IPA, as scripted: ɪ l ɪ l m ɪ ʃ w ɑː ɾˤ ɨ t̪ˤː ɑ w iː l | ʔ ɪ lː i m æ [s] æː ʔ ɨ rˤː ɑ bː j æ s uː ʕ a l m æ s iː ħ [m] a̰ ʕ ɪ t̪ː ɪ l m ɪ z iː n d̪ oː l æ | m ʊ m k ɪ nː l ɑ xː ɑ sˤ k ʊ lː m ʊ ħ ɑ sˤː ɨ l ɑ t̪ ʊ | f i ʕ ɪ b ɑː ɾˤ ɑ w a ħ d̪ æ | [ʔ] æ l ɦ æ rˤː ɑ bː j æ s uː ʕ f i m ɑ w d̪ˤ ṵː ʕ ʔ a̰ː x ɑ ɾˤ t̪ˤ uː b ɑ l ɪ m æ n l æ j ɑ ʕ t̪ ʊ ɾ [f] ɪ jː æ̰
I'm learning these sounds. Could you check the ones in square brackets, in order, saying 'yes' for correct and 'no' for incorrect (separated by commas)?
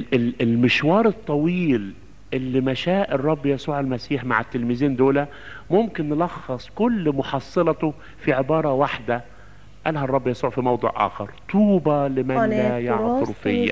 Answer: no, yes, yes, yes